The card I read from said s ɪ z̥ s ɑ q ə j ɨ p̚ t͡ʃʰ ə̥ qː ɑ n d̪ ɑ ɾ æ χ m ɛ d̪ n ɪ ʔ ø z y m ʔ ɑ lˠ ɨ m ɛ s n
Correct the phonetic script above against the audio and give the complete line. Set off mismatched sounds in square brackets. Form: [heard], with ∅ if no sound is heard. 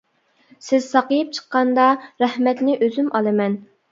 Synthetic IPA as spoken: s ɪ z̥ s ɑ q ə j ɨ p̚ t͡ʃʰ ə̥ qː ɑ n d̪ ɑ ɾ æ [h] m ɛ [t̪] n ɪ ʔ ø z y m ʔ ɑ lˠ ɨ m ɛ [∅] n